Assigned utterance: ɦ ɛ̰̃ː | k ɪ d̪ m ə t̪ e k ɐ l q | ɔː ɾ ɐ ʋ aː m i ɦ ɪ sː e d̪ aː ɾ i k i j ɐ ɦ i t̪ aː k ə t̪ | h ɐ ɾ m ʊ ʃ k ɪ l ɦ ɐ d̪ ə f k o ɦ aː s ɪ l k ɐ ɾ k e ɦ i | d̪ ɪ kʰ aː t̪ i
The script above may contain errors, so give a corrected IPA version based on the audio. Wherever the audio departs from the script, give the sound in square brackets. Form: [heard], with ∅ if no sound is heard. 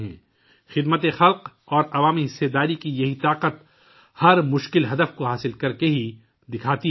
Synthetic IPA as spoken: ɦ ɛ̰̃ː | [x] ɪ d̪ m ə t̪ e [x] ɐ l q | ɔː ɾ ɐ ʋ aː m i ɦ ɪ sː e d̪ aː ɾ i k i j ɐ ɦ i t̪ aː [q] ə t̪ | h ɐ ɾ m ʊ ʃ k ɪ l ɦ ɐ d̪ ə f k o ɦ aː s ɪ l k ɐ ɾ k e ɦ i | d̪ ɪ kʰ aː t̪ i